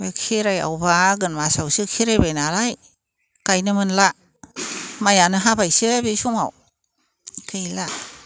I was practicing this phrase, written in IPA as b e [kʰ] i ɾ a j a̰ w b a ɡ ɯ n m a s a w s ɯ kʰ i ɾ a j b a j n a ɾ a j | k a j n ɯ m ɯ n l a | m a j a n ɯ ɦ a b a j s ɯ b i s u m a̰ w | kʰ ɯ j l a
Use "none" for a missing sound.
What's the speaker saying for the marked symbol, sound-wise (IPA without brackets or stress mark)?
kʰ